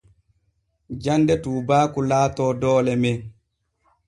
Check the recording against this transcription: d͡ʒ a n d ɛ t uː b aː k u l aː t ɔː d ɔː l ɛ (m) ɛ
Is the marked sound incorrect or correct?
correct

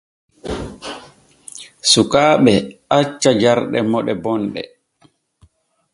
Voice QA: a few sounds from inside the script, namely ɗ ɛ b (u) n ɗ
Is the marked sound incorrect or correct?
incorrect: ɔ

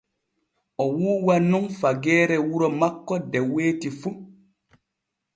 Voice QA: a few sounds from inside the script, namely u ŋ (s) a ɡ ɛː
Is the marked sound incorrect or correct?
incorrect: f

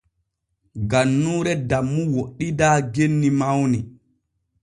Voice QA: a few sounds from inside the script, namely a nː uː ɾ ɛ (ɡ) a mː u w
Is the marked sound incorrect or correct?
incorrect: d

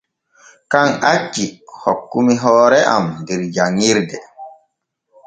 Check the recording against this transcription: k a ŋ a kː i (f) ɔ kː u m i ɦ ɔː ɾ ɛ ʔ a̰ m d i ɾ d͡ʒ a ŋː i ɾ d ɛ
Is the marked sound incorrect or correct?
incorrect: h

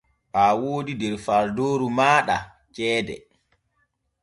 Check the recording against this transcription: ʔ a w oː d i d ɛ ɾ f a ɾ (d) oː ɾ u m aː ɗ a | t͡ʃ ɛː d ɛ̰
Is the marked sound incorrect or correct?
correct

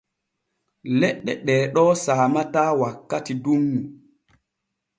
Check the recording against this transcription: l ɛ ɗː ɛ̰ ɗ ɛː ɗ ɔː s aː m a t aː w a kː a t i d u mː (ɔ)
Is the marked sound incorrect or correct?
incorrect: u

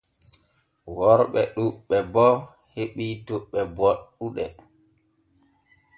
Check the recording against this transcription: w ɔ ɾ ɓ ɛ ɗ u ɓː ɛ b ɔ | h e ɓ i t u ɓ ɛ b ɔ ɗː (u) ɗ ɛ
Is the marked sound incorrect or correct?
correct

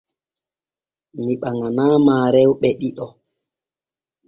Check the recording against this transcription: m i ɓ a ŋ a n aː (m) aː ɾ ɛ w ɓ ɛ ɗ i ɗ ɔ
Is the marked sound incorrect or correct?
correct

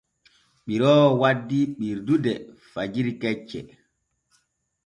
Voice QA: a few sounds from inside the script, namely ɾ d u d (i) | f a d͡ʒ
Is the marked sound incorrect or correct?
incorrect: ɛ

